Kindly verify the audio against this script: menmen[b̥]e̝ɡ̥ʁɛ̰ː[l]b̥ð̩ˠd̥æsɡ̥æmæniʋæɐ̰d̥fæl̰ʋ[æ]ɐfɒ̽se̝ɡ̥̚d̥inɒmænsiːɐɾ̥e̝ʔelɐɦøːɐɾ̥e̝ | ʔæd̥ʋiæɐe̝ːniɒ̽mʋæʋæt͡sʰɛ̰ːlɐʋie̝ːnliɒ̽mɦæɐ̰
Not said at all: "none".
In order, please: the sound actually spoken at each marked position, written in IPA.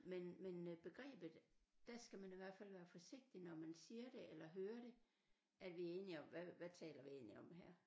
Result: b̥, none, æː

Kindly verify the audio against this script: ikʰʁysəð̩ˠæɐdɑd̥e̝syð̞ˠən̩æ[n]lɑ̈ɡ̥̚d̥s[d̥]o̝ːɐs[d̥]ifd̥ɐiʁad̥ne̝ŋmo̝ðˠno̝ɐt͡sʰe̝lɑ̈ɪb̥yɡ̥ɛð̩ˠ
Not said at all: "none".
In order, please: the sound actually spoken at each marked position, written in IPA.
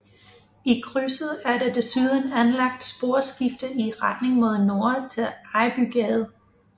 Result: n, b̥, ɡ̥

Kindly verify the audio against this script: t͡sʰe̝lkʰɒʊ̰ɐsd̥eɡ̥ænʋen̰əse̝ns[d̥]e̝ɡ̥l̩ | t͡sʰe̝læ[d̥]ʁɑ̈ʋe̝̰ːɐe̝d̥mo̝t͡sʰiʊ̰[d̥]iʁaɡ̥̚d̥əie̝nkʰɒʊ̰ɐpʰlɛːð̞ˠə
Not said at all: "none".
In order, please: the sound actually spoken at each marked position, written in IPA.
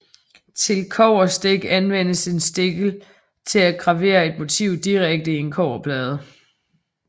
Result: d̥, ɡ̥, d̥

